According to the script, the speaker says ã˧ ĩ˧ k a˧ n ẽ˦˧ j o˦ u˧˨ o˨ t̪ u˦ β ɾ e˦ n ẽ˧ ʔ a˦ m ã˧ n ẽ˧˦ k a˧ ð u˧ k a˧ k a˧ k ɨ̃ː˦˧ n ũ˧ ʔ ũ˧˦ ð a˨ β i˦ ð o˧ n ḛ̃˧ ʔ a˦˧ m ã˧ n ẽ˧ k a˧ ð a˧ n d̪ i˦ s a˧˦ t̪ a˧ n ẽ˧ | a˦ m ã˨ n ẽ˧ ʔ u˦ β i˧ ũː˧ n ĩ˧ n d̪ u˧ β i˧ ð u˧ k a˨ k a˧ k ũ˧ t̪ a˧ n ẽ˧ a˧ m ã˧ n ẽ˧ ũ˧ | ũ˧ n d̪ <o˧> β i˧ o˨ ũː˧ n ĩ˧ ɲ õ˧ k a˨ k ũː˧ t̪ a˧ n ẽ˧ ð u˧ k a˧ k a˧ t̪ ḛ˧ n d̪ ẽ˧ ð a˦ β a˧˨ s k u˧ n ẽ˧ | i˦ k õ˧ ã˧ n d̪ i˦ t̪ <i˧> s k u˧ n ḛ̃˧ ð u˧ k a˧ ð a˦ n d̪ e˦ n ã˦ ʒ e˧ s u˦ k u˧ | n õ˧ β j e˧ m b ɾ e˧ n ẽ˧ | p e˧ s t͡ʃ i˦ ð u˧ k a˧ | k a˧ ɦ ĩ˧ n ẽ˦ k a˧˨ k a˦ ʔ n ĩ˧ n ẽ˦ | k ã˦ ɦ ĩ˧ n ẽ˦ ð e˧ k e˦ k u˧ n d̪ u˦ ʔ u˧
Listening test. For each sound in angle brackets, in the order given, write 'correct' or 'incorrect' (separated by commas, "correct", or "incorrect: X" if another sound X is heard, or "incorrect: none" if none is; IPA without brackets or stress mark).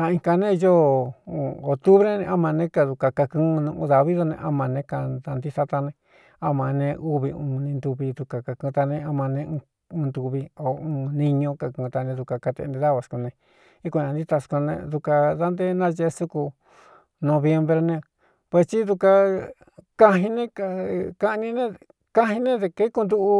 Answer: incorrect: u˧, incorrect: a˧